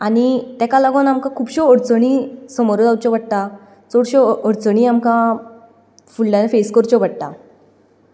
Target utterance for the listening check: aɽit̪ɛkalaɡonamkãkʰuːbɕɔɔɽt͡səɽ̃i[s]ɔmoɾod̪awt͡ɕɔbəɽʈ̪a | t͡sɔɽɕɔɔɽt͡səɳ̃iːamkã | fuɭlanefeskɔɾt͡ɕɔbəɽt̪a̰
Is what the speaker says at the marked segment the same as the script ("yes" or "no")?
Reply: yes